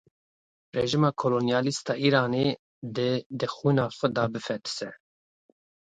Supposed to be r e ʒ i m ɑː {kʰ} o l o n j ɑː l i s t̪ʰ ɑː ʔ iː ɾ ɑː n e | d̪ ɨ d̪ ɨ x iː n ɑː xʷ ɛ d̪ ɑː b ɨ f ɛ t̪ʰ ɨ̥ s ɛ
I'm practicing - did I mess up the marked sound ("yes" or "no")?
no